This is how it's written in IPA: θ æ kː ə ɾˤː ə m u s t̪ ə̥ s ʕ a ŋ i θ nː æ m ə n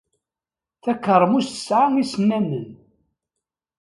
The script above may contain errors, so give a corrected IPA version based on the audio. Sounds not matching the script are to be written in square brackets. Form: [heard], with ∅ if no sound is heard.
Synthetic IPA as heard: θ æ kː ə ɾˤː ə m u s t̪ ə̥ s ʕ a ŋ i [s] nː æ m ə n